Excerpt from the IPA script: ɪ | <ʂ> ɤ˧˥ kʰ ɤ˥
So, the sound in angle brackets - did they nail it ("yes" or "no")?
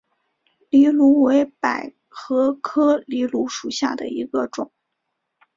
no